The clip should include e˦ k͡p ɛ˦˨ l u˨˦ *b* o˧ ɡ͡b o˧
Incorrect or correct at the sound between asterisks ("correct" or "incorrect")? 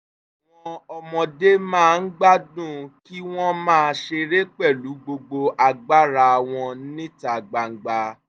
incorrect